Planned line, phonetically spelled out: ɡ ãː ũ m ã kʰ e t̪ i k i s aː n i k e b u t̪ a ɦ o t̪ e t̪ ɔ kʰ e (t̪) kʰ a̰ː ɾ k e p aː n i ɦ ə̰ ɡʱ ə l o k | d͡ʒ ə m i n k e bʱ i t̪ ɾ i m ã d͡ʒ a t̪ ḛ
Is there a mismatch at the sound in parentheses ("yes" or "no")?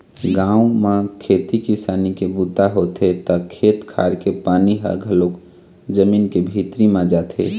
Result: no